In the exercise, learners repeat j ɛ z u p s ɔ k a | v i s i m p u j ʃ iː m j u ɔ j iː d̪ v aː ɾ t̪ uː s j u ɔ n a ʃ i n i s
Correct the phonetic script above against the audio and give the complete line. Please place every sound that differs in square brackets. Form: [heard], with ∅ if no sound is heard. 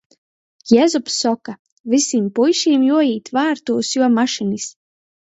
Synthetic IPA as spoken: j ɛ z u p s ɔ k a | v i s i m p u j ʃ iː m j u ɔ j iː [t̪] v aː ɾ t̪ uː s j u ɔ [m] a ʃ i n i s